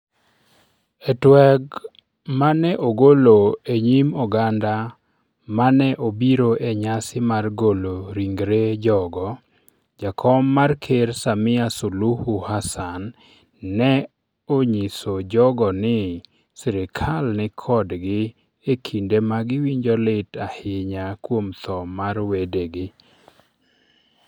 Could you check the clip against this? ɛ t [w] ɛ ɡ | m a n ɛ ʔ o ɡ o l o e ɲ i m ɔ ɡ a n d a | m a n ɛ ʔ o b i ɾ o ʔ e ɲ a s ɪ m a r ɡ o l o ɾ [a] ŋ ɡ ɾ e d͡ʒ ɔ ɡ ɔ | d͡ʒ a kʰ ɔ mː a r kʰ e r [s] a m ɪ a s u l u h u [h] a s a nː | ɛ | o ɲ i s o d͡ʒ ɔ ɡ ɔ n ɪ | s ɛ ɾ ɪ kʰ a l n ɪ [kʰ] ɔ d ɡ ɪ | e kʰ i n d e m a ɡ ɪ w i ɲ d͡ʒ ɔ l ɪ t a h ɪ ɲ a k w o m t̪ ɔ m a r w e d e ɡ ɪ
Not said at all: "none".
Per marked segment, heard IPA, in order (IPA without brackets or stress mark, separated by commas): w, i, s, h, kʰ